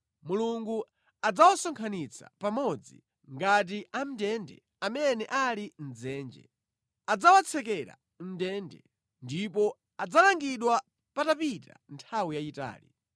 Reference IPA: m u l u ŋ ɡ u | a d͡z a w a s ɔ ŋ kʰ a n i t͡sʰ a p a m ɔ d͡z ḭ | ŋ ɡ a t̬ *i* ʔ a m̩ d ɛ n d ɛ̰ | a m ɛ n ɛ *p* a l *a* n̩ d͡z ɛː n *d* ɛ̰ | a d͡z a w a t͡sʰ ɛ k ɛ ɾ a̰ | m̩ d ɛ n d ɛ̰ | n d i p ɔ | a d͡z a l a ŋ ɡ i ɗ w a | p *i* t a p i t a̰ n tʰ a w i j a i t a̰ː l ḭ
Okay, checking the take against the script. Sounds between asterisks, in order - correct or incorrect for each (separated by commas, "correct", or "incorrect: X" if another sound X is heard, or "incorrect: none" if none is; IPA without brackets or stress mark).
correct, incorrect: ʔ, incorrect: i, incorrect: d͡ʒ, incorrect: a